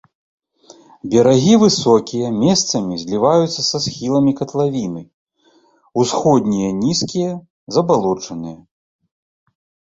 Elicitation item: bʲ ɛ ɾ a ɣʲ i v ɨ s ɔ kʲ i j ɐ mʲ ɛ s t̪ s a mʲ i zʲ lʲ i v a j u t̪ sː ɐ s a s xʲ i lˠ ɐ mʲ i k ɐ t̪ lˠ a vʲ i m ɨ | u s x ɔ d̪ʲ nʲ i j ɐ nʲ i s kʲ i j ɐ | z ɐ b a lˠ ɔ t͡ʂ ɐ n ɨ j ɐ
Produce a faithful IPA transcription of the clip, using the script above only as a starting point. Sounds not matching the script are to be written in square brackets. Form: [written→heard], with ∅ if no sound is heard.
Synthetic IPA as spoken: bʲ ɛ ɾ a ɣʲ i v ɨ s ɔ kʲ i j ɐ mʲ ɛ s t̪ s [a→ɐ] mʲ i zʲ lʲ i v a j u t̪ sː ɐ s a s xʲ i lˠ ɐ mʲ i k ɐ t̪ lˠ a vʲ i [m→n] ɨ | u s x ɔ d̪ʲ nʲ i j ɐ nʲ i s kʲ i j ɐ | z ɐ b a lˠ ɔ t͡ʂ ɐ n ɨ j ɐ